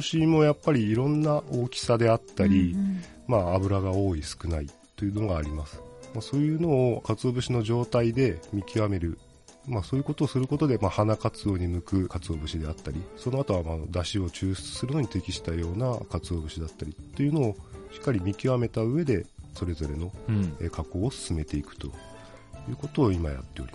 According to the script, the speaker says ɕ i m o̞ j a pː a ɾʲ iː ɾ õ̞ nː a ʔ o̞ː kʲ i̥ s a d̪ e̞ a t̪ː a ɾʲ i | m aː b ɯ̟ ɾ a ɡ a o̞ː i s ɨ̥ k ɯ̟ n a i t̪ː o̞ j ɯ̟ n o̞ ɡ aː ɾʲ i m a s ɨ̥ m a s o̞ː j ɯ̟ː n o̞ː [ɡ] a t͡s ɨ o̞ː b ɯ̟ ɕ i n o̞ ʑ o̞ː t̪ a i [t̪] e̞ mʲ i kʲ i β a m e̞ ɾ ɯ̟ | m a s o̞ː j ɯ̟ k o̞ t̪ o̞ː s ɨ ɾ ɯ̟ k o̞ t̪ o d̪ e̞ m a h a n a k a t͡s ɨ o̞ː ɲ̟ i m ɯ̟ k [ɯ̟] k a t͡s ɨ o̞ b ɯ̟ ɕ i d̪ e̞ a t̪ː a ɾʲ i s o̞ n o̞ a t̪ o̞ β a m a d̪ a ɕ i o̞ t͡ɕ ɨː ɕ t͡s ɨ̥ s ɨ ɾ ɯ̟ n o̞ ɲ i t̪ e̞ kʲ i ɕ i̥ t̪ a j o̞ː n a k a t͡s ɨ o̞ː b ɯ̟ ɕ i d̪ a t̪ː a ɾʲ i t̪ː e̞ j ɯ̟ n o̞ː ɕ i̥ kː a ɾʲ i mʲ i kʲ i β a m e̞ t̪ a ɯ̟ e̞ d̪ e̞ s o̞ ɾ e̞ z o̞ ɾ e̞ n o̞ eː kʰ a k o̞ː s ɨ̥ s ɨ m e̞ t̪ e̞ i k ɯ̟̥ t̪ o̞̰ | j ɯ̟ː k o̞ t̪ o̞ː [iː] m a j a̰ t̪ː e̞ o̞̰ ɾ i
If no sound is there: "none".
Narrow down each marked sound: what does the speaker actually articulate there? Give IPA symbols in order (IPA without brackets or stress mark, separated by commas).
k, d̪, ɯ̟, i